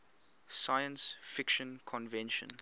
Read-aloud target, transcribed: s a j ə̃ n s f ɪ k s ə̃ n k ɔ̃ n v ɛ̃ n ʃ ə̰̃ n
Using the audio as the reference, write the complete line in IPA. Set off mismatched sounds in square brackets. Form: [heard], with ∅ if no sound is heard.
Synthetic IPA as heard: s a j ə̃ n s f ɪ k [ʃ] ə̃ n [kʰ] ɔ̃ n v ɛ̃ n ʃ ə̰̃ n

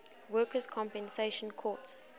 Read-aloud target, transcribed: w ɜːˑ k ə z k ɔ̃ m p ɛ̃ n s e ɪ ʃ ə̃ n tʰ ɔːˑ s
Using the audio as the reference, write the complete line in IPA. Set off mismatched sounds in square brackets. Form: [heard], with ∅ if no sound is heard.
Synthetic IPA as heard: w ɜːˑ k ə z [kʰ] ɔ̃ m p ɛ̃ n s e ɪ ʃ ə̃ n [kʰ] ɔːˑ [t]

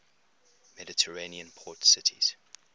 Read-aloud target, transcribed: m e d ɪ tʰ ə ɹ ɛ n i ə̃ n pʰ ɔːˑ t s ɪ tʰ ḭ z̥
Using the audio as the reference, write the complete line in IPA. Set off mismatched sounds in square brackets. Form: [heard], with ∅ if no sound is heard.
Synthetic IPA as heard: m [ɛ] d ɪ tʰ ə ɹ [e] n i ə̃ n pʰ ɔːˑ t s ɪ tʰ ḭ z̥

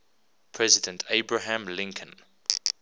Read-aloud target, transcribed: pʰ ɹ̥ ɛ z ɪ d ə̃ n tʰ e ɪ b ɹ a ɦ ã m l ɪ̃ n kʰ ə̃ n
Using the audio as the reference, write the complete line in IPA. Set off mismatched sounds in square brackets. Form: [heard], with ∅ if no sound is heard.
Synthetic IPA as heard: pʰ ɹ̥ ɛ z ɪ d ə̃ n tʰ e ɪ b ɹ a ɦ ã m l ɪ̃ [ŋ] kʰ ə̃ n

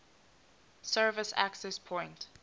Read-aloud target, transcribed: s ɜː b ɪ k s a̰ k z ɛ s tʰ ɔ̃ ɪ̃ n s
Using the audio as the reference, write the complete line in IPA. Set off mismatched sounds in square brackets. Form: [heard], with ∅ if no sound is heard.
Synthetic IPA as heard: s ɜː [v] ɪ [∅] s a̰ k [s] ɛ s [pʰ] ɔ̃ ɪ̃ n [t]

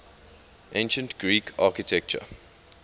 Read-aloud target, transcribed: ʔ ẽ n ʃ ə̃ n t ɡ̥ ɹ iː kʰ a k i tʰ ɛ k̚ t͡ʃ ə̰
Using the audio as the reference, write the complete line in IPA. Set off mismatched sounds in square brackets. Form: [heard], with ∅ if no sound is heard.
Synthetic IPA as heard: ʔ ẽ n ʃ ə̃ n t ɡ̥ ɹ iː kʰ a k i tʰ ɛ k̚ t͡ʃ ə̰

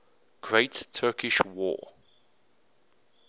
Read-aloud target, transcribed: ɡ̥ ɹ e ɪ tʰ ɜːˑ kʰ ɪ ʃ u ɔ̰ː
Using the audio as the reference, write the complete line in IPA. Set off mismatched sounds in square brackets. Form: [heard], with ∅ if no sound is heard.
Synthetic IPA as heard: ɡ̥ ɹ e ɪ tʰ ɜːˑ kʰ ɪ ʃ [w] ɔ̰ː

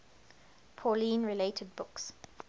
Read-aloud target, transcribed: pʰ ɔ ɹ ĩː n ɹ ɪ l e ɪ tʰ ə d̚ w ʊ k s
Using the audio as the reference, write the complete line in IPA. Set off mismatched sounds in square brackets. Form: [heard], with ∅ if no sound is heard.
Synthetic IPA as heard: pʰ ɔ [l] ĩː n ɹ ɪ l e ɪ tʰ ə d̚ [b] ʊ k s

